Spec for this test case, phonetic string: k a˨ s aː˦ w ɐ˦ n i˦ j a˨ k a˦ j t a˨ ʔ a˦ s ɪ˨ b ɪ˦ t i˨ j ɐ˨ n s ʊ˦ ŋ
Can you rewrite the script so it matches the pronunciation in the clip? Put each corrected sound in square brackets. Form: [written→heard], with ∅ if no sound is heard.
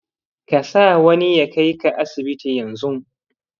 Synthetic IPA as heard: k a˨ s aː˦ w ɐ˦ n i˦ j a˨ k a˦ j [t→k] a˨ ʔ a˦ s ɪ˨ b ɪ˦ t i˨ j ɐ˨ n [s→z] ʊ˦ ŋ